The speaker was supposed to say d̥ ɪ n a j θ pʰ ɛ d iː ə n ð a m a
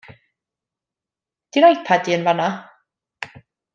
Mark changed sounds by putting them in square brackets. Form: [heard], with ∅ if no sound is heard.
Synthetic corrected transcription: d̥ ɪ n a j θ pʰ [a] d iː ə n [v] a [n] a